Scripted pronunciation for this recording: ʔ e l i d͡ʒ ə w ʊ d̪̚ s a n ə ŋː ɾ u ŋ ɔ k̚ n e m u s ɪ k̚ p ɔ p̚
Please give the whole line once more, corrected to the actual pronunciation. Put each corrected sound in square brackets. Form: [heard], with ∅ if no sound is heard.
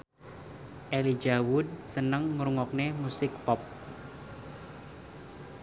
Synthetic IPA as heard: ʔ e l i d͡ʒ [a] w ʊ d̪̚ s [ə] n ə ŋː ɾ u ŋ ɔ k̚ n e m u s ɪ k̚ p ɔ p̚